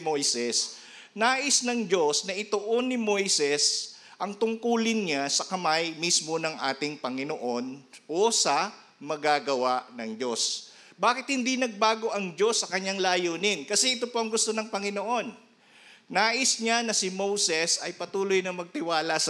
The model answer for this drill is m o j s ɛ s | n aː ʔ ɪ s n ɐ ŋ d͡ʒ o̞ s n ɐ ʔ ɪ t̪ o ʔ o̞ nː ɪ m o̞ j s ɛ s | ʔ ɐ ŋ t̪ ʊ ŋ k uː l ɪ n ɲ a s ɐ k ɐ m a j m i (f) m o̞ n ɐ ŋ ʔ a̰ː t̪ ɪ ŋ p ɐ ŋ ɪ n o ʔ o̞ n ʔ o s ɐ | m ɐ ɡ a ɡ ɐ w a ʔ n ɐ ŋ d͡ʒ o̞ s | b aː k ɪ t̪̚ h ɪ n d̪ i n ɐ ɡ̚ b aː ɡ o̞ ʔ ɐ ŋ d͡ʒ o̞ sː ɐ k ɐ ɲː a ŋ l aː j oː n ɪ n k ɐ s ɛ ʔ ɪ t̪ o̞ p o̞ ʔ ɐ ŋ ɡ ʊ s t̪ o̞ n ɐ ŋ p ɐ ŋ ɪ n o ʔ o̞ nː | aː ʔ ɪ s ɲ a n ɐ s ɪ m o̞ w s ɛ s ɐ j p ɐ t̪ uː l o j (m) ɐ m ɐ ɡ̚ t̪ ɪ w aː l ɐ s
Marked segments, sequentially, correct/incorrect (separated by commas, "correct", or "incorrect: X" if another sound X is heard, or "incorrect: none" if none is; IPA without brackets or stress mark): incorrect: s, incorrect: n